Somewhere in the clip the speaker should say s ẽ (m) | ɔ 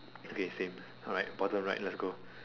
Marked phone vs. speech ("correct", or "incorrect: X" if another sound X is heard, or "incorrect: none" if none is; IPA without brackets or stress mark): correct